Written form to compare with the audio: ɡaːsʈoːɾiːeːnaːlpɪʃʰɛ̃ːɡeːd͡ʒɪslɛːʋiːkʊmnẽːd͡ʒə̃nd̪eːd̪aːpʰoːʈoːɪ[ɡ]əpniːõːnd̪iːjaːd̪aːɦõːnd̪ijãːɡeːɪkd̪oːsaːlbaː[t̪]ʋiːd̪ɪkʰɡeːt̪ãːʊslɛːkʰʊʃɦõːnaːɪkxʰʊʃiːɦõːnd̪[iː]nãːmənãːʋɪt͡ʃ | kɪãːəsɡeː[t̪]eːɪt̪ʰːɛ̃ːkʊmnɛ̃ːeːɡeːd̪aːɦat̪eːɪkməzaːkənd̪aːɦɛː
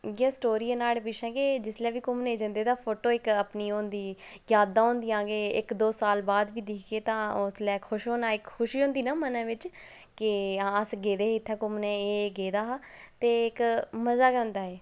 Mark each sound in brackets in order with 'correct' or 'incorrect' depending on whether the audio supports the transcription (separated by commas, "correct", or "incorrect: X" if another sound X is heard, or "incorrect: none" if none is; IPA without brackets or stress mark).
incorrect: k, incorrect: d̪, correct, incorrect: d̪